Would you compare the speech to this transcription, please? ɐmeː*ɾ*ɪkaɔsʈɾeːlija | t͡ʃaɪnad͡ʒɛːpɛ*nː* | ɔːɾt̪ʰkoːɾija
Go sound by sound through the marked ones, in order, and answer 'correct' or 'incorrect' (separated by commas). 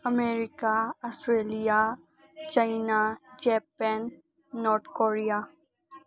correct, correct